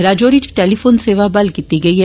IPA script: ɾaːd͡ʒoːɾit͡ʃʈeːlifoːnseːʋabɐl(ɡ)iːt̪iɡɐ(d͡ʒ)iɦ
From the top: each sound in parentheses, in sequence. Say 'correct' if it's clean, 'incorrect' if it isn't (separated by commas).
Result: incorrect, incorrect